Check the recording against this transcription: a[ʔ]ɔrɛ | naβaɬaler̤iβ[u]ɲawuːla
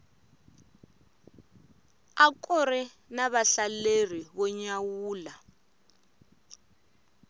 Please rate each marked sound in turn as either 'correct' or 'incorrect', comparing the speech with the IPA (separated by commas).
incorrect, incorrect